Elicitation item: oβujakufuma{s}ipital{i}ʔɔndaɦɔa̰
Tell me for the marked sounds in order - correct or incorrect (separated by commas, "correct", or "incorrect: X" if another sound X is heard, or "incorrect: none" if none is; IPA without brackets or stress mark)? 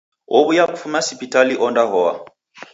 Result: correct, correct